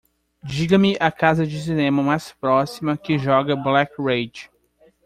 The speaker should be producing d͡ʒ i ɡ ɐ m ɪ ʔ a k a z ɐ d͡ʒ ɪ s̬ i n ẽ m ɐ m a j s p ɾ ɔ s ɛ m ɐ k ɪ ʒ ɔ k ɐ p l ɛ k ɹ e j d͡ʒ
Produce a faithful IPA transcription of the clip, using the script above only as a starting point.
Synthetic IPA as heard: d͡ʒ i ɡ ɐ m ɪ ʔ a k a z ɐ d͡ʒ ɪ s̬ i n ẽ m ɐ m a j s p ɾ ɔ s i m ɐ k ɪ ʒ ɔ ɡ ɐ b l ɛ k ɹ e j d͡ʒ